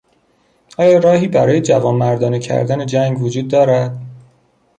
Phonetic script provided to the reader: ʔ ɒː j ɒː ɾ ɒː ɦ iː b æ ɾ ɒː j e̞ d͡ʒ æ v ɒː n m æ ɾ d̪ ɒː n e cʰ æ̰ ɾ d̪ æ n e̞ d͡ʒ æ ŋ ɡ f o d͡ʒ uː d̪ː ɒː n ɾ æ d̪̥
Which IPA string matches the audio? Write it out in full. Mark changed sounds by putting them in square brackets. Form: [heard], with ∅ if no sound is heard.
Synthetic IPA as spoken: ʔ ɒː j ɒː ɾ ɒː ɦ iː b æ ɾ ɒː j e̞ d͡ʒ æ v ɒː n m æ ɾ d̪ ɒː n e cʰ æ̰ ɾ d̪ æ n e̞ d͡ʒ æ ŋ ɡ [v] o d͡ʒ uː d̪ː ɒː [∅] ɾ æ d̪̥